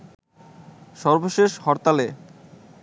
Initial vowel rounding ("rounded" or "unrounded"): rounded